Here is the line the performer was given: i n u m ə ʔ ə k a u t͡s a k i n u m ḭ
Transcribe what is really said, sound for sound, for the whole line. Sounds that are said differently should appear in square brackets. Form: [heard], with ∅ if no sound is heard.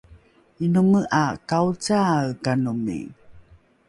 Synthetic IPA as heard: i n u m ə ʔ [a] k a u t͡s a k [a] n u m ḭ